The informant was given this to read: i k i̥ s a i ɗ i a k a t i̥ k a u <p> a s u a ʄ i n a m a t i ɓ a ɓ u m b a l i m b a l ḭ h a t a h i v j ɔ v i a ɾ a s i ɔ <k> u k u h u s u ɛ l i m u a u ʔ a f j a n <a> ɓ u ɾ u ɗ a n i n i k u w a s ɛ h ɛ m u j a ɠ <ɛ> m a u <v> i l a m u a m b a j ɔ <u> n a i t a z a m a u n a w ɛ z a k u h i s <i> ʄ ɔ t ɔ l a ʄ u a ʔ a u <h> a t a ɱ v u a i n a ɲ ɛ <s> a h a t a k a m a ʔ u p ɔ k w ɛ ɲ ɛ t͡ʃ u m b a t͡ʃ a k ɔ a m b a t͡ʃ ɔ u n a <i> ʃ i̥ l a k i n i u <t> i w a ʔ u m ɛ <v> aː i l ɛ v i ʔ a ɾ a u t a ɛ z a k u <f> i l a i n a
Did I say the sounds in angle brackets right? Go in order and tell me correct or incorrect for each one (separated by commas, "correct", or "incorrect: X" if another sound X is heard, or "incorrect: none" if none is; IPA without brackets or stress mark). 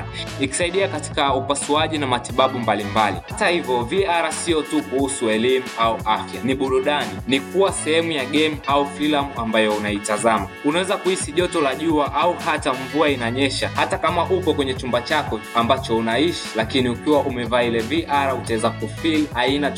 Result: correct, incorrect: t, incorrect: i, correct, incorrect: f, correct, correct, correct, incorrect: ʃ, correct, incorrect: k, correct, correct